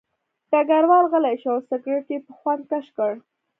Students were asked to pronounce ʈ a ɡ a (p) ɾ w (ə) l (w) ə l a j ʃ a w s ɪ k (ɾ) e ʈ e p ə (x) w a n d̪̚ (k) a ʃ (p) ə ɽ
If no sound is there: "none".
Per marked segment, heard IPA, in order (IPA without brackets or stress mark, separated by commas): none, ɑ, ɣ, ɾ, x, k, k